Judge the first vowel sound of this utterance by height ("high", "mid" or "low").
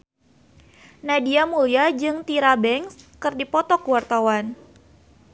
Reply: low